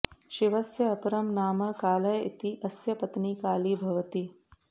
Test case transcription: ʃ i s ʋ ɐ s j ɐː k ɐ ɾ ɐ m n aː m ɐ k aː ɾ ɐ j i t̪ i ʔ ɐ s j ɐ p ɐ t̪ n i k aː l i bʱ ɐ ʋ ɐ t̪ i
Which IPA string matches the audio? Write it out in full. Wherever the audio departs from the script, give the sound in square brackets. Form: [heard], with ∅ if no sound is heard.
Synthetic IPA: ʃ i [∅] ʋ ɐ s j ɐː [p] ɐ ɾ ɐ m n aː m ɐ k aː [l] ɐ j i t̪ i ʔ ɐ s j ɐ p ɐ t̪ n i k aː l i bʱ ɐ ʋ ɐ t̪ i